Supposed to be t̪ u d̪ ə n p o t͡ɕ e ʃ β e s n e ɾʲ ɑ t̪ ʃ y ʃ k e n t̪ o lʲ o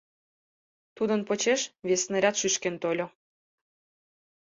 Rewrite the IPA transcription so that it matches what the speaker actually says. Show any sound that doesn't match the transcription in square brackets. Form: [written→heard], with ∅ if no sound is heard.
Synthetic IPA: t̪ u d̪ ə n p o t͡ɕ e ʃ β e s n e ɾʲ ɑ t̪ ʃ y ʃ k e n t̪ o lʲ o